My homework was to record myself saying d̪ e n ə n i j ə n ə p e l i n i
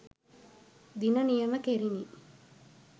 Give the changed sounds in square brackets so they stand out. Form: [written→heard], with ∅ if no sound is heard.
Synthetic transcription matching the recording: d̪ [e→i] n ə n i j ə [n→m] ə [p→k] e [l→ɾ] i n i